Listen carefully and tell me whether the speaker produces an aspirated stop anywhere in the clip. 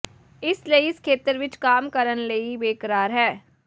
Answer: yes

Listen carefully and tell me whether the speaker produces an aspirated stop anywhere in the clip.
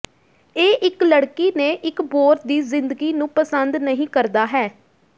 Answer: no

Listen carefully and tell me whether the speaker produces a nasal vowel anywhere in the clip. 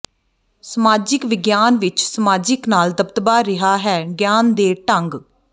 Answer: no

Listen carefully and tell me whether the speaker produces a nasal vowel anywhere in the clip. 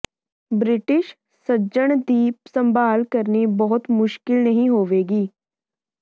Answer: yes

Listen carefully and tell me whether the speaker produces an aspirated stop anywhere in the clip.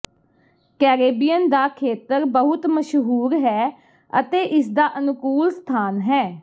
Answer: yes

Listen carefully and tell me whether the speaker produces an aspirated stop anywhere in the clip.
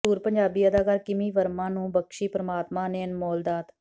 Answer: no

